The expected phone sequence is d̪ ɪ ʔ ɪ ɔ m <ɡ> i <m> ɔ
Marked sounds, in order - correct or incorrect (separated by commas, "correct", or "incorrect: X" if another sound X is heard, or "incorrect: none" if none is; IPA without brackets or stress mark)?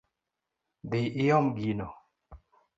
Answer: correct, incorrect: n